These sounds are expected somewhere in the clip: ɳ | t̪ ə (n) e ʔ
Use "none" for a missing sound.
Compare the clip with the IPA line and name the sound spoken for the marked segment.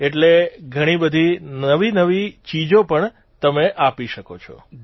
m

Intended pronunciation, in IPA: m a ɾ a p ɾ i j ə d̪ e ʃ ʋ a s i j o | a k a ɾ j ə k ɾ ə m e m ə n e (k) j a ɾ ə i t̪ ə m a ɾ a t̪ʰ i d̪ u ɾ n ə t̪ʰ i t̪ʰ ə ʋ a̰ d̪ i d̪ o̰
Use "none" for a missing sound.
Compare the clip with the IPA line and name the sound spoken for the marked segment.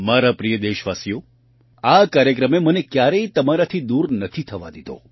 k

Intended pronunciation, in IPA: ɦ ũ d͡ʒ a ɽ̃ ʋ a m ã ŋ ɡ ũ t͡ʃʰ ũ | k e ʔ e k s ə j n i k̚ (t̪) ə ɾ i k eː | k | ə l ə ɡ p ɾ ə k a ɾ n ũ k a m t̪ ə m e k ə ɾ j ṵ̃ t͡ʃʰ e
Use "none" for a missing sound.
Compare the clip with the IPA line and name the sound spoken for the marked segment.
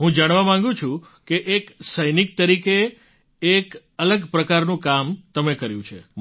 t̪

